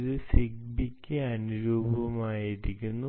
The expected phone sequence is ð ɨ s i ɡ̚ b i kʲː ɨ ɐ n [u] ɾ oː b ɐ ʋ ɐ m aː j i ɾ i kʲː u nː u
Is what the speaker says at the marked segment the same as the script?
yes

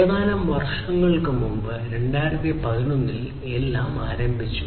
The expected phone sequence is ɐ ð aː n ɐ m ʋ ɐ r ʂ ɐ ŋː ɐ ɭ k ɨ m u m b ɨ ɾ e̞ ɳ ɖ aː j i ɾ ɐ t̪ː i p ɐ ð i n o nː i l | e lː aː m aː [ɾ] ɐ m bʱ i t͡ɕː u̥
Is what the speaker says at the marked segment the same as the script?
yes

